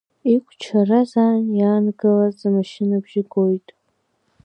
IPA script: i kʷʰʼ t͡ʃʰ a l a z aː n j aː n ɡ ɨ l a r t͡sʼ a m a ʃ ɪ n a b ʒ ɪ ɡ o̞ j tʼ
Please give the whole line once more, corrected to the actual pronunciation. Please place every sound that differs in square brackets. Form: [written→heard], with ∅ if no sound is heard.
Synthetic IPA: i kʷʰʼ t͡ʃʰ a [l→r] a z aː n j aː n ɡ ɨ l a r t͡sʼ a m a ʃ ɪ n a b ʒ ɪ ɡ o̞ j tʼ